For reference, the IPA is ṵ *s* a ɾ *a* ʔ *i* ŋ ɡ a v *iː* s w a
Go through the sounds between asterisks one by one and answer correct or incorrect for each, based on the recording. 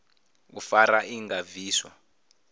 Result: incorrect, correct, correct, correct

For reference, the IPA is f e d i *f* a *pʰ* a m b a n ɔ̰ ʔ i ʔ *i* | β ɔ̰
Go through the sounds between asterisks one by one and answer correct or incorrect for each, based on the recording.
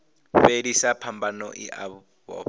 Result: incorrect, correct, incorrect

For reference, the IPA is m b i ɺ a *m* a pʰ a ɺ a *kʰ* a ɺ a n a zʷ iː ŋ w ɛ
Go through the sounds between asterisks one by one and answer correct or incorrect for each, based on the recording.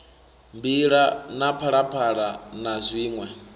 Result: incorrect, incorrect

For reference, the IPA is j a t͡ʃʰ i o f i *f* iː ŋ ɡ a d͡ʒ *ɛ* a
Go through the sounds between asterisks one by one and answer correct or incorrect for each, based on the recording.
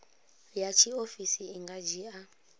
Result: incorrect, incorrect

